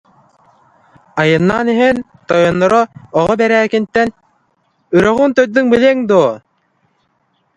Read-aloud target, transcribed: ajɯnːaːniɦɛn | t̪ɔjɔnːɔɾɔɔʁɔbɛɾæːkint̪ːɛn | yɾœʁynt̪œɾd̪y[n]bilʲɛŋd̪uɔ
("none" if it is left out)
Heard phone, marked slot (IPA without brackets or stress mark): ŋ